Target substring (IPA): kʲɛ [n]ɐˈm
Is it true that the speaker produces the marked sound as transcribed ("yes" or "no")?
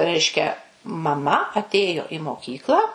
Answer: no